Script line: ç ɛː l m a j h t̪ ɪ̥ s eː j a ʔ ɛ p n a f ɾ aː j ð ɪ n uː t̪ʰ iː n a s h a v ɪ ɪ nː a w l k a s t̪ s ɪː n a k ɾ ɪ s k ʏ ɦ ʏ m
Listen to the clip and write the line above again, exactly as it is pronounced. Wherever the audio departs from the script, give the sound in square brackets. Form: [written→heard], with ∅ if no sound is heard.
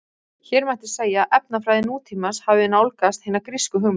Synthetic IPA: ç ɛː [l→ɾ] m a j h t̪ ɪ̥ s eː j a ʔ ɛ p n a f ɾ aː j ð ɪ n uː t̪ʰ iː [n→m] a s h a v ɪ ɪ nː a w l k a s t̪ [s→h] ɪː n a k ɾ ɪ s k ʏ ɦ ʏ m